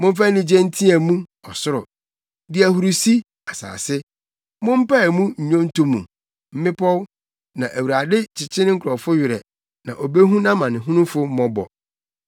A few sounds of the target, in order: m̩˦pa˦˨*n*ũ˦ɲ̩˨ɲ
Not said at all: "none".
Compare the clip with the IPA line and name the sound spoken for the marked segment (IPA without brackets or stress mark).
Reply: m